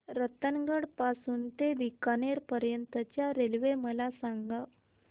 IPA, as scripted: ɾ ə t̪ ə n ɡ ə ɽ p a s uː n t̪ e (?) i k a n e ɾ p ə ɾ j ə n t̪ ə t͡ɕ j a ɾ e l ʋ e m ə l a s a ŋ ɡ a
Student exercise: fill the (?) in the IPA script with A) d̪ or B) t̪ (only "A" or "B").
A